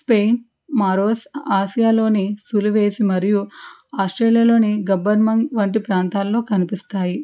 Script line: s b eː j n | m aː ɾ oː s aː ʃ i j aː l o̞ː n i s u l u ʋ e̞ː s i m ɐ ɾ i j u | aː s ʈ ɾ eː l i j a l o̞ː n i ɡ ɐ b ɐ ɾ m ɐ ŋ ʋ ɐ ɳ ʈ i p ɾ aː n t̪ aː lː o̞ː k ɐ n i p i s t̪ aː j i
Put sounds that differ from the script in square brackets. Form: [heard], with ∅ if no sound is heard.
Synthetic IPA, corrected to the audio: s [p] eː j n | m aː ɾ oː s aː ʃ i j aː l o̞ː n i s u l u ʋ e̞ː s i m ɐ ɾ i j u | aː s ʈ ɾ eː l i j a l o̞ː n i ɡ ɐ b ɐ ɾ m ɐ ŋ ʋ ɐ ɳ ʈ i p ɾ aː n t̪ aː lː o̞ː k ɐ n i p i s t̪ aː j i